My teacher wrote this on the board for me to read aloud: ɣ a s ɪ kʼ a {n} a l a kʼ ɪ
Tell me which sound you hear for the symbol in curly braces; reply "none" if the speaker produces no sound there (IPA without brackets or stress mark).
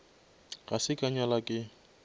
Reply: ɲ